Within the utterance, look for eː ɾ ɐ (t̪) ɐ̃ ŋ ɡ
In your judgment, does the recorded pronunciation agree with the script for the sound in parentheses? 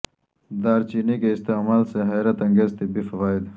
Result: yes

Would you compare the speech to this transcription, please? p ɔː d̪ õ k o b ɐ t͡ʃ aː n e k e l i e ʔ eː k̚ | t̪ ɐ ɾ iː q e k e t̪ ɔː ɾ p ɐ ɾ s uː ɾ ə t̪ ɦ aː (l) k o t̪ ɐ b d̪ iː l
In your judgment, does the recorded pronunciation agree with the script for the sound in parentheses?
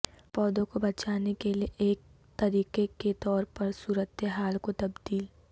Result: yes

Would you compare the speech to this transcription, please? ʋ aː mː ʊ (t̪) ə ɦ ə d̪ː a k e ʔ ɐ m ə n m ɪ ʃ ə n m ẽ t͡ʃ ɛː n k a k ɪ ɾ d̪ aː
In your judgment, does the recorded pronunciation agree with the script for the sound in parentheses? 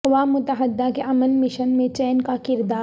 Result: yes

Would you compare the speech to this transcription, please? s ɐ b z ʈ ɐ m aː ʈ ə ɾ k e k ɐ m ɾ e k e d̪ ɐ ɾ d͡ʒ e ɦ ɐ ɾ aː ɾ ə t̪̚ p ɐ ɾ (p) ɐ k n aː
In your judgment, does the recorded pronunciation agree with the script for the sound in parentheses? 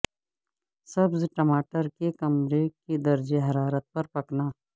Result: yes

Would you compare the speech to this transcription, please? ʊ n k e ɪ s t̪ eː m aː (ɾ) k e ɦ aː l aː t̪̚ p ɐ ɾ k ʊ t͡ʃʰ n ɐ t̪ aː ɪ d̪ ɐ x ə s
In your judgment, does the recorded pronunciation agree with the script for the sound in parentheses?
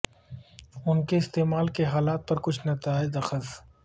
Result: no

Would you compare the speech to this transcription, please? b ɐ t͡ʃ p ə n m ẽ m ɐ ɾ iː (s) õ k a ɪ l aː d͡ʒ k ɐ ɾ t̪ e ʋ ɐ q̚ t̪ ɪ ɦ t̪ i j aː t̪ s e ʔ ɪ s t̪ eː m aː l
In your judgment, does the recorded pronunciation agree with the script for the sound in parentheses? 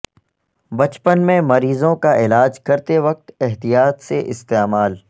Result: no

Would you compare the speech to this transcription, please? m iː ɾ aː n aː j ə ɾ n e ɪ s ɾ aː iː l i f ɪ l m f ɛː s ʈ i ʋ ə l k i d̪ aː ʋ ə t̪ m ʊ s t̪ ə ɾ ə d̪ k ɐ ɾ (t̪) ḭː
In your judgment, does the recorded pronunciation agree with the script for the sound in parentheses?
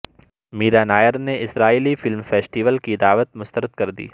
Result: no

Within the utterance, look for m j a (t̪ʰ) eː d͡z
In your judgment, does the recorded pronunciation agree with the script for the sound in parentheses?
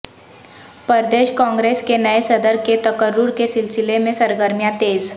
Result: no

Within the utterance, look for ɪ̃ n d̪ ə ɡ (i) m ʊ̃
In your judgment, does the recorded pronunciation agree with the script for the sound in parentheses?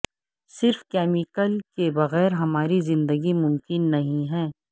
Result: yes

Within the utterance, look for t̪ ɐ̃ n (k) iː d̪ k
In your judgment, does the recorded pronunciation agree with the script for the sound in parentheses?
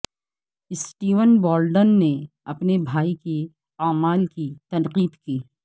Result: no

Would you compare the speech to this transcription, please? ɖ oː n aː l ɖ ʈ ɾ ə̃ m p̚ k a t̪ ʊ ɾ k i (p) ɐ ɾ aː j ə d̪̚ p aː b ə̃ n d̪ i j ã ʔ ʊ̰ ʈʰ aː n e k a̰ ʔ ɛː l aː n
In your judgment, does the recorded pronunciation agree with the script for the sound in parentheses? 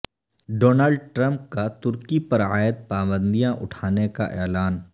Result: yes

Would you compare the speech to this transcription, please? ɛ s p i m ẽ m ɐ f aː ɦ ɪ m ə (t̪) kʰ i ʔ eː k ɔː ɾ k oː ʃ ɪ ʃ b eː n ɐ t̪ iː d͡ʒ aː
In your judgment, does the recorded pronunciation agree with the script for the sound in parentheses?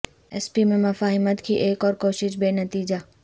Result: yes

